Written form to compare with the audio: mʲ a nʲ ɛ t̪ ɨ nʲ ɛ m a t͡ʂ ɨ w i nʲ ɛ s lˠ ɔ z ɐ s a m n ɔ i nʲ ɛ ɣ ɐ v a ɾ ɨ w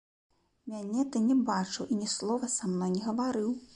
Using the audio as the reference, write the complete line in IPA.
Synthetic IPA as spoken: mʲ a nʲ ɛ t̪ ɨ nʲ ɛ b a t͡ʂ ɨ w i nʲ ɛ s lˠ ɔ v ɐ s a m n ɔ j nʲ ɛ ɣ ɐ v a ɾ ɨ w